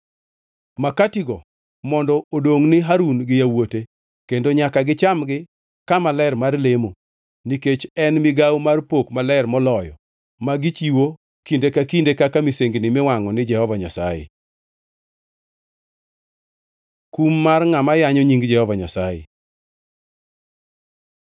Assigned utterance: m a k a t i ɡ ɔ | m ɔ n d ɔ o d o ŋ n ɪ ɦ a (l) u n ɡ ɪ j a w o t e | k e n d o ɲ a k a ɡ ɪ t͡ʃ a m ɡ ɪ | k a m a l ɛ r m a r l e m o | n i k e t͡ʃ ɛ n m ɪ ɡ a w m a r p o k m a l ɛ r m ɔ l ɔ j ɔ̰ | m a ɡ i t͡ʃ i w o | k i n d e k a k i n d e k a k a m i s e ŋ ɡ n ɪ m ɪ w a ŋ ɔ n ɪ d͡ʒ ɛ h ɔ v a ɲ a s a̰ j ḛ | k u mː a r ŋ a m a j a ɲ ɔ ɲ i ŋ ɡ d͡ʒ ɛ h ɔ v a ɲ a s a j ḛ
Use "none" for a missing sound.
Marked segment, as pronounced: ɾ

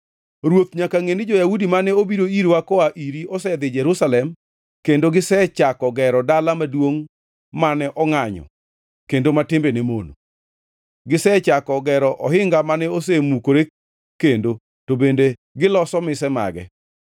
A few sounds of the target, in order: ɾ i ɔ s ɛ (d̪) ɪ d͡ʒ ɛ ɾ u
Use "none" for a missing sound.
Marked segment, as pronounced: d̪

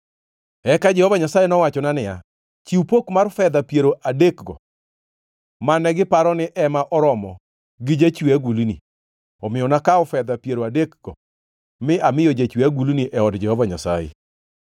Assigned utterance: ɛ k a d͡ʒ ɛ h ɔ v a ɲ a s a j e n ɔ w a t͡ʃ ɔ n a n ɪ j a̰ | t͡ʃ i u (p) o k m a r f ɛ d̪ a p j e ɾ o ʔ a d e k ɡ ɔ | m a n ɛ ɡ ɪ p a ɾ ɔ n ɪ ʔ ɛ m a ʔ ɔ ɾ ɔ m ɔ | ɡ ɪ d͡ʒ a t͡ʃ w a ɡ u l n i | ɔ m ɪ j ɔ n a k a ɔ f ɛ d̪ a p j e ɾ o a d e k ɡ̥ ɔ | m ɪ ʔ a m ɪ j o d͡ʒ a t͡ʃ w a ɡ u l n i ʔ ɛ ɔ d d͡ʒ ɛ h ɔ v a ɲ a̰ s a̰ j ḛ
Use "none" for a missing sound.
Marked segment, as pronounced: p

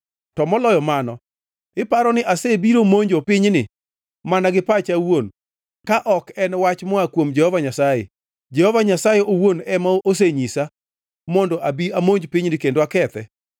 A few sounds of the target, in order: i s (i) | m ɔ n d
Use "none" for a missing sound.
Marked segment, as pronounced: a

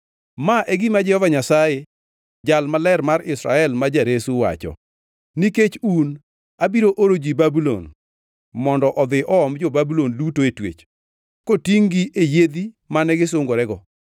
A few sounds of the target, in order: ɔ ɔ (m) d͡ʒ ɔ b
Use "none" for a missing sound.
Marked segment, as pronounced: m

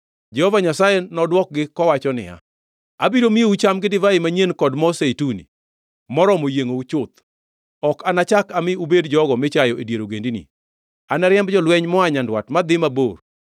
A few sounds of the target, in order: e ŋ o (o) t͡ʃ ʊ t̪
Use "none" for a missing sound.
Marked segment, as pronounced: u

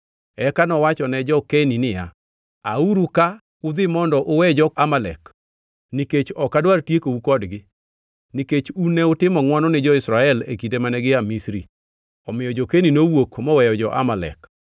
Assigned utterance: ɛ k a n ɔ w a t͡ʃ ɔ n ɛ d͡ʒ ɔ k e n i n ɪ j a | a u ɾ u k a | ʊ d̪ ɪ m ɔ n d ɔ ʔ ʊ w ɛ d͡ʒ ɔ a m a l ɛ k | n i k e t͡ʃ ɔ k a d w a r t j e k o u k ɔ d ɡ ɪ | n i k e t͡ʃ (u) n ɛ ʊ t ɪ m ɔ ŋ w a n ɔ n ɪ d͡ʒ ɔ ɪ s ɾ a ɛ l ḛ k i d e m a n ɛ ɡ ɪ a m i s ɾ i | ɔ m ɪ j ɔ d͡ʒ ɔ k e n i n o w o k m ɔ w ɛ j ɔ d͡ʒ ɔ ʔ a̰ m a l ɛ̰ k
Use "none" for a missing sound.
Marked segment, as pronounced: u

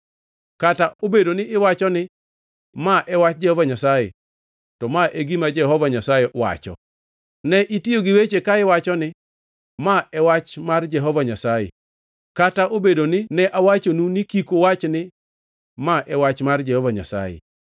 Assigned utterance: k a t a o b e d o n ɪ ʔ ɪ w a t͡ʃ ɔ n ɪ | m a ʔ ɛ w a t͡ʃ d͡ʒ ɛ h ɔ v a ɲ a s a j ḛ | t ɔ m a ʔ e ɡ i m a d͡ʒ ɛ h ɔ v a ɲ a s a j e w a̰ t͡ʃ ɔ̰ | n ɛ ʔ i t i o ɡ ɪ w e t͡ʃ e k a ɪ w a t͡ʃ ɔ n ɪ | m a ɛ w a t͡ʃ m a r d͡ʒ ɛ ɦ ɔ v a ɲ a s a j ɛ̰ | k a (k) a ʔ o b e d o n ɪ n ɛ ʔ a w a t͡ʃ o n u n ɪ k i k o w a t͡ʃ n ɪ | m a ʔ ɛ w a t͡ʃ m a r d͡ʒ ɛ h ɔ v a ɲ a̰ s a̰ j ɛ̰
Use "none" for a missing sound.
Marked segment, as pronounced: t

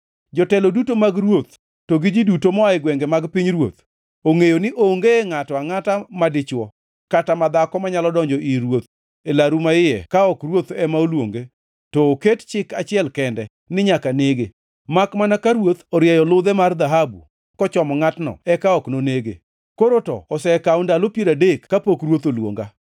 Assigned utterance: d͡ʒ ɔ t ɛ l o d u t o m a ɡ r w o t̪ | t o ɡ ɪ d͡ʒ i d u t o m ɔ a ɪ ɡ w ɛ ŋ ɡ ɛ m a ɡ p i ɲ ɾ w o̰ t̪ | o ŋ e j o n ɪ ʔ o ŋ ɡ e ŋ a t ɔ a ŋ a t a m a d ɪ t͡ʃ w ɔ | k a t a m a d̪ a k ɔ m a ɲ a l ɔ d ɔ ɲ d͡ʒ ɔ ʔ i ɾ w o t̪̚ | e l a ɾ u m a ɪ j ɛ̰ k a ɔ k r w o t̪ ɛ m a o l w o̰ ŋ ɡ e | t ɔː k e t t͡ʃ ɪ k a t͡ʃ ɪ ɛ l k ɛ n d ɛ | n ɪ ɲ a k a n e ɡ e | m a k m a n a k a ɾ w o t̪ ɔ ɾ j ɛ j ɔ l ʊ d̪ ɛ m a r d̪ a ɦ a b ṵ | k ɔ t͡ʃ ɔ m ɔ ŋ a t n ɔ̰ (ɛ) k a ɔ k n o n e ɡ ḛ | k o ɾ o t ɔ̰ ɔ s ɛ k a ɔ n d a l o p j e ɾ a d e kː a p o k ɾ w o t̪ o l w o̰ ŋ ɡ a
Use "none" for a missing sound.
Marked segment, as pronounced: ɛ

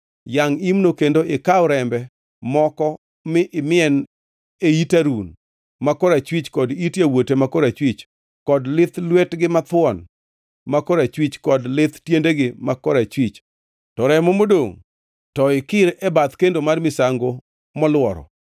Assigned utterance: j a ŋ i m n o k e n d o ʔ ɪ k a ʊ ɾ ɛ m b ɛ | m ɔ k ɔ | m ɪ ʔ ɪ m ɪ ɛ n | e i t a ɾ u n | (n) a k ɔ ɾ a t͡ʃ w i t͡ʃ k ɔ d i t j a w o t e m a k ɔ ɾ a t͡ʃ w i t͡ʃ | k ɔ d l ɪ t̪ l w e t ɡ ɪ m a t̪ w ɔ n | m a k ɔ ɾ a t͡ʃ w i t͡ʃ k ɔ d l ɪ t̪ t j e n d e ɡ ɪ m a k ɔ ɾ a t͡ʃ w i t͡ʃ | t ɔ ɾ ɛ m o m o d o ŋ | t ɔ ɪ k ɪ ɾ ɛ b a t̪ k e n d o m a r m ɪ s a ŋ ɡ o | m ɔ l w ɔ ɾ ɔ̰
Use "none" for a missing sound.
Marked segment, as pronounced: m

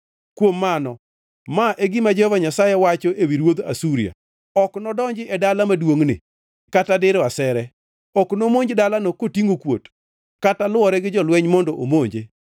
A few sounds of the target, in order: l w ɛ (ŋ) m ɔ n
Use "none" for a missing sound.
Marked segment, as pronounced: ɲ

